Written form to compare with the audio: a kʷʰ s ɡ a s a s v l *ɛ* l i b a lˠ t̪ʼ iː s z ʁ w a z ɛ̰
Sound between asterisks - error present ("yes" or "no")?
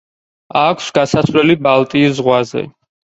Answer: no